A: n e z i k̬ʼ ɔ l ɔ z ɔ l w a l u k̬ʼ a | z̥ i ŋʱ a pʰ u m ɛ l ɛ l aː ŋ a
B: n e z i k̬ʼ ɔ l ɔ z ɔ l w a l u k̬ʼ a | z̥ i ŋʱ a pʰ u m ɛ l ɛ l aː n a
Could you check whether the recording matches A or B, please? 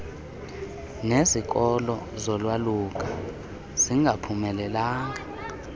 A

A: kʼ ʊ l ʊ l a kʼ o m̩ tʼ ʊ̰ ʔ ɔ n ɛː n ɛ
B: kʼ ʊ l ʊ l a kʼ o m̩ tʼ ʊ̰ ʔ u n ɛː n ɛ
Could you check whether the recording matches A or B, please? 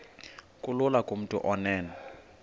A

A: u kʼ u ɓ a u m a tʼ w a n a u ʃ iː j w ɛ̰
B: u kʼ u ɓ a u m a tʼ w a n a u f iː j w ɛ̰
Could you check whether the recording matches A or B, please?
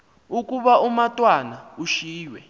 A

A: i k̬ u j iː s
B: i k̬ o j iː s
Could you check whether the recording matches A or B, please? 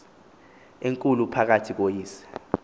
B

